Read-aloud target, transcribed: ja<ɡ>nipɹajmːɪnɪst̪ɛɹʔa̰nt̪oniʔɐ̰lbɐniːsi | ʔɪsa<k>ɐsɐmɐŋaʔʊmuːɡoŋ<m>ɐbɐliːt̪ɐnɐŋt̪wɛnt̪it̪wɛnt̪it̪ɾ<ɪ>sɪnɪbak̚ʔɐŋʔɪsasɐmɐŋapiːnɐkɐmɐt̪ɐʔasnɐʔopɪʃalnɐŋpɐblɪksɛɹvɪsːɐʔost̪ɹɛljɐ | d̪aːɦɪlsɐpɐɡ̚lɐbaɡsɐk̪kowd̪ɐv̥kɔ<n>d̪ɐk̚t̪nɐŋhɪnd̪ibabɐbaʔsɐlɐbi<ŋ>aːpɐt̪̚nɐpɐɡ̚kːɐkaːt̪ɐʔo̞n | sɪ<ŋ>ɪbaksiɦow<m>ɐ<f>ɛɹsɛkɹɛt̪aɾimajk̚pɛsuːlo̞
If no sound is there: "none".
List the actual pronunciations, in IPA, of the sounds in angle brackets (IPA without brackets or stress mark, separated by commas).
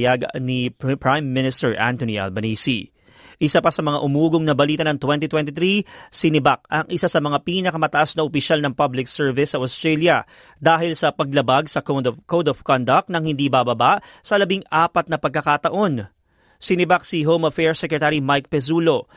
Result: ɡ, p, n, i, n, ŋ, n, m, f